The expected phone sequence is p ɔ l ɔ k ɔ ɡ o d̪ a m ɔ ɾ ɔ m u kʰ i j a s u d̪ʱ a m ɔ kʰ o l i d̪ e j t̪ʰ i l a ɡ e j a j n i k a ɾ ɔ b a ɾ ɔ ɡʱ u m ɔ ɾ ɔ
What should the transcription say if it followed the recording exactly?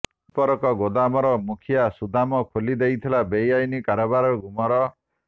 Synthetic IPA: p ɔ ɾ ɔ k ɔ ɡ o d̪ a m ɔ ɾ ɔ m u kʰ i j a s u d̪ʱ a m ɔ kʰ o l i d̪ e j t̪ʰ i l a b e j a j n i k a ɾ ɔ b a ɾ ɔ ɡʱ u m ɔ ɾ ɔ